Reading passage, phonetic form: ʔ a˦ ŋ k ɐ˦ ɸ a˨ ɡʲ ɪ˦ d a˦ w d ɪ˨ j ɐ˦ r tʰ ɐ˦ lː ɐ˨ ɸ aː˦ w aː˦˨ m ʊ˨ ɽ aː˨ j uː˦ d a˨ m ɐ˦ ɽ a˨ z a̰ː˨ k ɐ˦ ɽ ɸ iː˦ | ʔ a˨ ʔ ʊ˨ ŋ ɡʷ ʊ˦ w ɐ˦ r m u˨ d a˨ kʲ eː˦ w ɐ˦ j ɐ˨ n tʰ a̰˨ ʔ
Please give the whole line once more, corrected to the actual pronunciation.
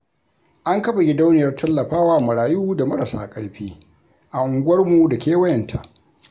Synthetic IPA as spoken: ʔ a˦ ŋ k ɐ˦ ɸ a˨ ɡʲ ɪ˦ d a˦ w n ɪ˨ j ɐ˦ r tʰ ɐ˦ lː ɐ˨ ɸ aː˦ w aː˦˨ m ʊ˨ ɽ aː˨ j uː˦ d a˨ m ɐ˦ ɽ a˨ s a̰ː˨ kʼ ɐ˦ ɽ ɸ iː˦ | ʔ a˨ ʔ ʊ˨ ŋ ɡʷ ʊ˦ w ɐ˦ r m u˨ d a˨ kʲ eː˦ w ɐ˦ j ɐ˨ n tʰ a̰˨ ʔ

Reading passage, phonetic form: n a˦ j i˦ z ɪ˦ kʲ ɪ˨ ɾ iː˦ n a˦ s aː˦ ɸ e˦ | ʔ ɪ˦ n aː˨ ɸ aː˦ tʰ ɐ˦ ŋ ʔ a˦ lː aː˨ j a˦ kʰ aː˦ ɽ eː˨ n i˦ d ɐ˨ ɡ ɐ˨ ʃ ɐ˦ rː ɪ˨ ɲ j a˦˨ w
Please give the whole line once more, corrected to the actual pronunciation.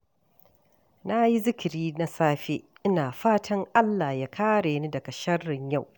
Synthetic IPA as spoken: n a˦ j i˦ z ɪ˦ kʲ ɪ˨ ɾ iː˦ n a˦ s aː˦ ɸ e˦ | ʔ ɪ˦ n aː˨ ɸ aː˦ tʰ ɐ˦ ŋ ʔ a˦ lː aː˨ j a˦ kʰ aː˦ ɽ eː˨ n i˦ d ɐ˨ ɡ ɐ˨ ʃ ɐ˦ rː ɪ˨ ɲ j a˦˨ w

